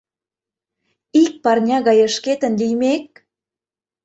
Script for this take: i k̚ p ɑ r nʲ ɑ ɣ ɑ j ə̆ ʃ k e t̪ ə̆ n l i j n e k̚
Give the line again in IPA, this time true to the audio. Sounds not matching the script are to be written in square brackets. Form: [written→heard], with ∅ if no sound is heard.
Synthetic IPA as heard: i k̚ p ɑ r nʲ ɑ ɣ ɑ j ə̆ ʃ k e t̪ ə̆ n l i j [n→m] e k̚